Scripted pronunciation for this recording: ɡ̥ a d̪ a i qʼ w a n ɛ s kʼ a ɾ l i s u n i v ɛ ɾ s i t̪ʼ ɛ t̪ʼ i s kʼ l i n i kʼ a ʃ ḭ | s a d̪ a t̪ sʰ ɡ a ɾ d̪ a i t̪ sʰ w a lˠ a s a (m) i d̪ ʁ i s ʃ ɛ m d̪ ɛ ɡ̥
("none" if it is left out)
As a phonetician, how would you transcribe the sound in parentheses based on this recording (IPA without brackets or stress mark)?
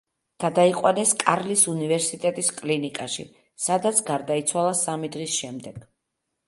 m